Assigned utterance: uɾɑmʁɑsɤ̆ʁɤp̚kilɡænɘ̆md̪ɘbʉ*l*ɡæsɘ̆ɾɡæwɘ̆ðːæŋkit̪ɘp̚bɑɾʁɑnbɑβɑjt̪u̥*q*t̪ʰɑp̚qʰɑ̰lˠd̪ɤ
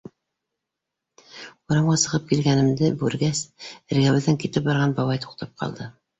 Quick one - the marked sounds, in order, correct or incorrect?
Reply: incorrect: ɾ, correct

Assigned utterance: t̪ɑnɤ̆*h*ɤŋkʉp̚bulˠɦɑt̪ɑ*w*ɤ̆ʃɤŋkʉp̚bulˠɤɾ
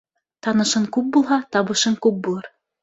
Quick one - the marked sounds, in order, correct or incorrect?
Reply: incorrect: ʃ, incorrect: β

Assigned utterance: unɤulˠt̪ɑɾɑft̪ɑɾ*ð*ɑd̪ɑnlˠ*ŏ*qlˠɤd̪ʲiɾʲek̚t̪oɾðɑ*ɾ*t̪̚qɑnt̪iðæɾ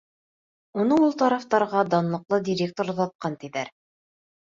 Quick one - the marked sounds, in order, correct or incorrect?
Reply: incorrect: ʁ, incorrect: ɤ̆, incorrect: none

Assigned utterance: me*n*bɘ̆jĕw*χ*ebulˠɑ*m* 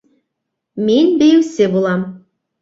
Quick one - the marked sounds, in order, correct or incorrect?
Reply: correct, incorrect: s, correct

